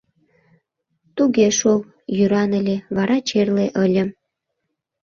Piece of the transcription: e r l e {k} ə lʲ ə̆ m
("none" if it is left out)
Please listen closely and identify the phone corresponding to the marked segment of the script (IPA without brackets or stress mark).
ʔ